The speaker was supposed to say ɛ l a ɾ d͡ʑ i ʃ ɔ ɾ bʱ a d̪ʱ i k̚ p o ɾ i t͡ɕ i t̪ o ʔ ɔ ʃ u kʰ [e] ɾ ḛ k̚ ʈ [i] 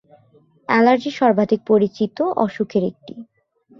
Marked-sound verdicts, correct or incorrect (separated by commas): correct, correct